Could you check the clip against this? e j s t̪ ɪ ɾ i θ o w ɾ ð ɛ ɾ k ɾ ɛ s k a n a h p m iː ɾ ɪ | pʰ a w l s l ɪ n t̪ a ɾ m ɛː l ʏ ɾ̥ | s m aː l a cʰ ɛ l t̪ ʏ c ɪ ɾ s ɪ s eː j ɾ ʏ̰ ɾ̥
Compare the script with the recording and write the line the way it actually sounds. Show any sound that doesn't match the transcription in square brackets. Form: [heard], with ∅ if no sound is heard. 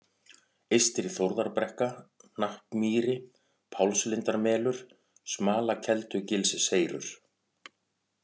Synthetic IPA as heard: e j s t̪ ɪ ɾ i θ o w ɾ ð [a] ɾ [p] ɾ ɛ [h] k a n a h p m iː ɾ ɪ | pʰ a w l s l ɪ n t̪ a ɾ m ɛː l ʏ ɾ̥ | s m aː l a cʰ ɛ l t̪ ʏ c ɪ [l] s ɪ s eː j ɾ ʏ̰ ɾ̥

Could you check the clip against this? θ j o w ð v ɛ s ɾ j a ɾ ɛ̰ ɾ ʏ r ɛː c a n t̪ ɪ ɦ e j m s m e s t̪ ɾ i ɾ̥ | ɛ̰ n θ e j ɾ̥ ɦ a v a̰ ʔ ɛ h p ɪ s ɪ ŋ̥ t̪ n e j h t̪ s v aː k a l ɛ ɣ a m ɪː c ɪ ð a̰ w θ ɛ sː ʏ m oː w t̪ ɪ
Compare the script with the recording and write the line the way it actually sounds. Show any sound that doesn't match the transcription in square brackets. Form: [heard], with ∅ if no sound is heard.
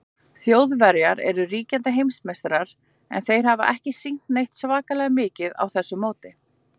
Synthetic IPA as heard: θ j o w ð v ɛ [∅] ɾ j a ɾ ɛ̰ ɾ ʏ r [iː] c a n t̪ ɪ ɦ e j m s m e s t̪ ɾ [a] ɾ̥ | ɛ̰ n θ e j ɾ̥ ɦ a v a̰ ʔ ɛ h [c] ɪ s [i] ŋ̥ t̪ n e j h t̪ s v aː k a l ɛ ɣ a m ɪː c ɪ ð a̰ w θ ɛ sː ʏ m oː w t̪ ɪ

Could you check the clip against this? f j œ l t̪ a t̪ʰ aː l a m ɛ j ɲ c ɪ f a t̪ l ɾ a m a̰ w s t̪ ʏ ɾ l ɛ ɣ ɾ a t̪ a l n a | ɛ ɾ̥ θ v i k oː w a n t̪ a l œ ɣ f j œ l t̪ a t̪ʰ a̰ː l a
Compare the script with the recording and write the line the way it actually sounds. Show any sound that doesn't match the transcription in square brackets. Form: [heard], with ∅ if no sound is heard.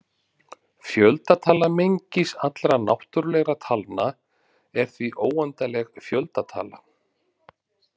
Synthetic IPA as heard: f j œ l t̪ a t̪ʰ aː l a m [e] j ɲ c ɪ [s] a t̪ l ɾ a [n] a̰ w [h] t̪ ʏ ɾ l ɛ ɣ ɾ a [t̪ʰ] a l n a | ɛ ɾ̥ θ v i [ʔ] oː w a n t̪ a l [ɛ] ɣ f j œ l t̪ a t̪ʰ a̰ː l a

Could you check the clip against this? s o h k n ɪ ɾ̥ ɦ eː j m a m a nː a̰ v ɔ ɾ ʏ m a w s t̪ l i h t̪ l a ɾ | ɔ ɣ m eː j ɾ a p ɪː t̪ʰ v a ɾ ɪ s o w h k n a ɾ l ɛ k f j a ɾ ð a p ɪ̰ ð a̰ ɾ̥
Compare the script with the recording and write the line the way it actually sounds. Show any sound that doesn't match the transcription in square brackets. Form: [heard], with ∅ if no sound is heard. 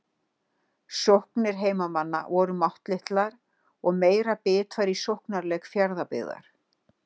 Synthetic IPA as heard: s o h k n ɪ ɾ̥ ɦ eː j m a m a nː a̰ v ɔ ɾ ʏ m a w [h] t̪ l [ɪ] h t̪ l a ɾ | ɔ ɣ m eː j ɾ a p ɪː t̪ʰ v a ɾ [i] s o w h k n a ɾ l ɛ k f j a ɾ ð a p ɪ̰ ð a̰ ɾ̥

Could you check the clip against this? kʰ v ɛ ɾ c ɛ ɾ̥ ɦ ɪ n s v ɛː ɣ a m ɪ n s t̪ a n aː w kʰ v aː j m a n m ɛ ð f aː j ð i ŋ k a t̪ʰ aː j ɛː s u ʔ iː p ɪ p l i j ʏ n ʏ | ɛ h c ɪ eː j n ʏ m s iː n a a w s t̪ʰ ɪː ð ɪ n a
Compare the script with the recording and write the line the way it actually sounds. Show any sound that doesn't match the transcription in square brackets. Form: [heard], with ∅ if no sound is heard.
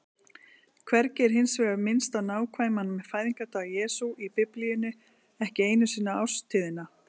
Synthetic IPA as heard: kʰ v ɛ ɾ c ɛ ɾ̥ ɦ ɪ n s v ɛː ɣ a m ɪ n s t̪ a n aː w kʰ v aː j m a n m ɛ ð f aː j ð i ŋ k a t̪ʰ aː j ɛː s u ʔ [i] p ɪ p l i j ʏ n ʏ | ɛ h c ɪ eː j n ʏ [∅] s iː n a a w s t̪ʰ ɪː ð ɪ n a

